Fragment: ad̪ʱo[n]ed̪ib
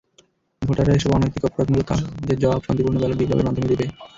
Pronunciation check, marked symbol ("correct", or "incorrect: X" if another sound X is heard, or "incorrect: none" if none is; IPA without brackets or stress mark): incorrect: m